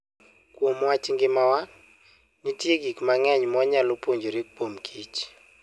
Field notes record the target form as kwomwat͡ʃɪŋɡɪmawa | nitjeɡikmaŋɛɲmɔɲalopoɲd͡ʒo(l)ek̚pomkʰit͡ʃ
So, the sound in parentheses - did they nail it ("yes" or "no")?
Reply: no